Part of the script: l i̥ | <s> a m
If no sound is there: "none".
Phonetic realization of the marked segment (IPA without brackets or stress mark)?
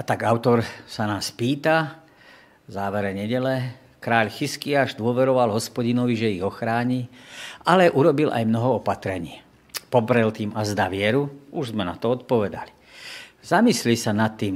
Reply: z